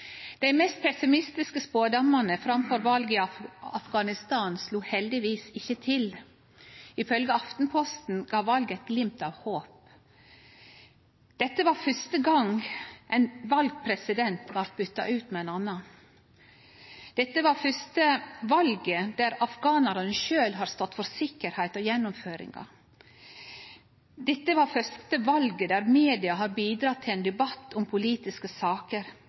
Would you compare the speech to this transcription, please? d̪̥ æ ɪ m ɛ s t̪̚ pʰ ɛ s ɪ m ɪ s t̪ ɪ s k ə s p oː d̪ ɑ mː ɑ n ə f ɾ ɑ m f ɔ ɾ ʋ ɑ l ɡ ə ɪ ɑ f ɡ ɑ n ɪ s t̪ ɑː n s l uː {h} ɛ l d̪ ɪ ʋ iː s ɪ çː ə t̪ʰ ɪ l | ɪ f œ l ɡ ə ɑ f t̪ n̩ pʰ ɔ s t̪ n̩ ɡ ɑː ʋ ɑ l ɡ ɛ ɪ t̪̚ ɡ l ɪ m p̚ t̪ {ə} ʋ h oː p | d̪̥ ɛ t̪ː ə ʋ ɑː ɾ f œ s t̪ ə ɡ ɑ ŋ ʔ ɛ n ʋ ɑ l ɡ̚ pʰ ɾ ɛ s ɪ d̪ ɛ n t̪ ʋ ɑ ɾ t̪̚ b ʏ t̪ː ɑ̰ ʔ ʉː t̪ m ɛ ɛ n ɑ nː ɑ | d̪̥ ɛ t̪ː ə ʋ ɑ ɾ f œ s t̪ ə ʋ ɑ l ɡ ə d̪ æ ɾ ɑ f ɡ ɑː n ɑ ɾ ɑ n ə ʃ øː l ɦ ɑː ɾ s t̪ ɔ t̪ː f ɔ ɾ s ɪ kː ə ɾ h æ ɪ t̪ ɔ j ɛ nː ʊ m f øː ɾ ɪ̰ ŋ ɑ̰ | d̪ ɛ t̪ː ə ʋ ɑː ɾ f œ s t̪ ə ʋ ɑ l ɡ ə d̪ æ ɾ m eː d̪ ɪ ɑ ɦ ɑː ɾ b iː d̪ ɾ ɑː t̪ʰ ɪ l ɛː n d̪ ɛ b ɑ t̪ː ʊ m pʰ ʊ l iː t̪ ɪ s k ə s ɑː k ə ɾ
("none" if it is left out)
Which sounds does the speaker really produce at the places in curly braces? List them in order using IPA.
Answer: h, ɑ

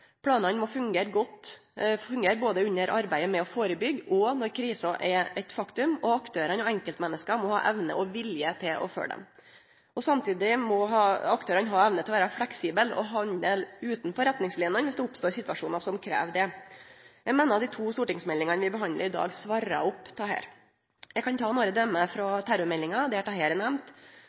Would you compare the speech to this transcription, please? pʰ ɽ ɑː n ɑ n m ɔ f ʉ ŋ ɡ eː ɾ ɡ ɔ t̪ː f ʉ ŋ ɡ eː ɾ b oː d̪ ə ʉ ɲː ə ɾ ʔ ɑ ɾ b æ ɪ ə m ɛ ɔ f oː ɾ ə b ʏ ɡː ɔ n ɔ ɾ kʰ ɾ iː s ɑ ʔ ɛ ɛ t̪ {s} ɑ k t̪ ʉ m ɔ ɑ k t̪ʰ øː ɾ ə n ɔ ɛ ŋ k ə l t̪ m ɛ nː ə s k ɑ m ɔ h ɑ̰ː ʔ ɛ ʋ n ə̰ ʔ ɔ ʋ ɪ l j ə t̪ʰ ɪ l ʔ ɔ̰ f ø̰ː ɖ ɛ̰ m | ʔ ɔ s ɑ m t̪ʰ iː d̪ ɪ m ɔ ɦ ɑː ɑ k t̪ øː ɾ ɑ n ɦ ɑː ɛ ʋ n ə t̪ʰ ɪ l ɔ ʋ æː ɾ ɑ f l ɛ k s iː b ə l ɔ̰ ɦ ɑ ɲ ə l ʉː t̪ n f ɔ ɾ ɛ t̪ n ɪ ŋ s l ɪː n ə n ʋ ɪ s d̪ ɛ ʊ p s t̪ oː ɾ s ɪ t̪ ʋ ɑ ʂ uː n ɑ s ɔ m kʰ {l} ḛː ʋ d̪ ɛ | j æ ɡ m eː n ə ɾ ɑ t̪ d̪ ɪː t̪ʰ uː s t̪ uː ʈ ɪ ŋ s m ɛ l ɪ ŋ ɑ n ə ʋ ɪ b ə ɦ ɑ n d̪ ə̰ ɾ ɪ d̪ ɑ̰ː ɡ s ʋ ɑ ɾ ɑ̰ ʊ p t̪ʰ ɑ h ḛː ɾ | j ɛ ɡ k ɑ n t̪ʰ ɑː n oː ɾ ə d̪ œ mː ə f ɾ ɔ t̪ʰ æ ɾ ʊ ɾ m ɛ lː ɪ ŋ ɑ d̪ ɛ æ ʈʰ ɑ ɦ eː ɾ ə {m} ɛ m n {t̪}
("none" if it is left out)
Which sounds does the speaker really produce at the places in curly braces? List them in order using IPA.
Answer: f, ɾ, n, t̪

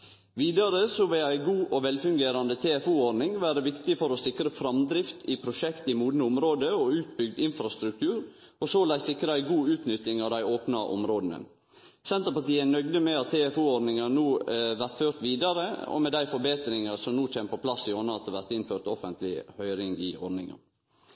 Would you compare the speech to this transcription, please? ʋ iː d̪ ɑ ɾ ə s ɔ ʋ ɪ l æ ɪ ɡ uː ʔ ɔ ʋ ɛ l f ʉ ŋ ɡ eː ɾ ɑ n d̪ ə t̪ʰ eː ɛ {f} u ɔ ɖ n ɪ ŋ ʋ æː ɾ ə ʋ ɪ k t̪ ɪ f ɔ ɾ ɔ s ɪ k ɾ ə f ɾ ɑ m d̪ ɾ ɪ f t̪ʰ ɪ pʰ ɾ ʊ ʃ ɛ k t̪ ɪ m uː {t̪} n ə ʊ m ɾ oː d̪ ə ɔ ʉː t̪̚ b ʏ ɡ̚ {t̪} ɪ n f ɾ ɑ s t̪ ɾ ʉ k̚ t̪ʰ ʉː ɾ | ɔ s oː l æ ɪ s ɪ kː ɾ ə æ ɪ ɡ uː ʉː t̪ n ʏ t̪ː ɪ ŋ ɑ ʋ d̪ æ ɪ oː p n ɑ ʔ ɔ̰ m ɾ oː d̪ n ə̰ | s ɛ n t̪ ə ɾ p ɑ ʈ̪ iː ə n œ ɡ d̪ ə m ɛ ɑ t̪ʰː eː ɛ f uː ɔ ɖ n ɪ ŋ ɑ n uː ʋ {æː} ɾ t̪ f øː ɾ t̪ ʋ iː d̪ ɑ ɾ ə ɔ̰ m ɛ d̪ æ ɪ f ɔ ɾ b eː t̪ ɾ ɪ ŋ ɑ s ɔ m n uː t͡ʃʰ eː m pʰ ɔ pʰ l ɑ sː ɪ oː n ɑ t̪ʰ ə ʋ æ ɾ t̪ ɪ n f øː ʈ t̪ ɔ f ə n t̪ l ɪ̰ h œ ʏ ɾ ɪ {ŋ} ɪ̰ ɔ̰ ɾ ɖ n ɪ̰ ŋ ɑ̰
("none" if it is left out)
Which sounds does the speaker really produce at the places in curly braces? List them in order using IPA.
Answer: f, d̪, d̪, æ, ŋ

